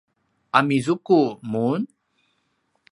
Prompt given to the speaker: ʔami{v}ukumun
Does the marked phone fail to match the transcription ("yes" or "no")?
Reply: yes